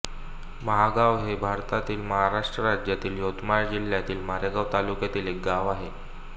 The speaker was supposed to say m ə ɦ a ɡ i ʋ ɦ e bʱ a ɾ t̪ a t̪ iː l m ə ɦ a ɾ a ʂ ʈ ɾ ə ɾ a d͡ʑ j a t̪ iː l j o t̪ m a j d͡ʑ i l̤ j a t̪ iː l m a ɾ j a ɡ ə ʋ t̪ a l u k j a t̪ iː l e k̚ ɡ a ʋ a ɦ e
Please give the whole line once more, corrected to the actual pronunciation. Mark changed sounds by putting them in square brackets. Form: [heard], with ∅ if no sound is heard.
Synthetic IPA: m ə ɦ a ɡ [a] ʋ ɦ e bʱ a ɾ t̪ a t̪ iː l m ə ɦ a ɾ a ʂ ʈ ɾ ə ɾ a d͡ʑ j a t̪ iː l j o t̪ m a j d͡ʑ i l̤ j a t̪ iː l m a ɾ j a ɡ [a] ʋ t̪ a l u k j a t̪ iː l e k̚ ɡ a ʋ a ɦ e